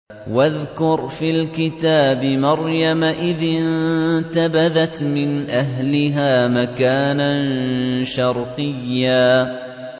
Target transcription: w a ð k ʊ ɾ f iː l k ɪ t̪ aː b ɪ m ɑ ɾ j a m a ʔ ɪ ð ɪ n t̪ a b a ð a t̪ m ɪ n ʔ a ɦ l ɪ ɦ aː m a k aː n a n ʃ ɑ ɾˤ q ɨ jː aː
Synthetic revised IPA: w a ð k ʊ ɾ f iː l k ɪ t̪ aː b ɪ m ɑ ɾ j a m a ʔ ɪ ð ɪ n t̪ a b a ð a t̪ m ɪ n ʔ a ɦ l ɪ ɦ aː m a k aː n a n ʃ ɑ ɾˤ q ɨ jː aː